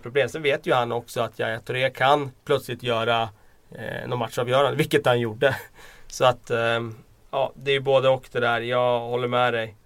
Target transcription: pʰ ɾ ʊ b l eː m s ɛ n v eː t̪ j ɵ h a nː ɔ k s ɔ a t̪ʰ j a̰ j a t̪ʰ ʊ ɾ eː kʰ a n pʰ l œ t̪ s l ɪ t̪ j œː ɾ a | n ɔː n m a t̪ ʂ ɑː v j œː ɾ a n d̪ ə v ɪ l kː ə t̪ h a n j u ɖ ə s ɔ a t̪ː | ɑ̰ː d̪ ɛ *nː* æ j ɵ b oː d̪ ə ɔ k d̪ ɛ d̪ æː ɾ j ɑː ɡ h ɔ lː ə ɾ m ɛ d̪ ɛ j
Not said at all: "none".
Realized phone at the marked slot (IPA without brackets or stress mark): none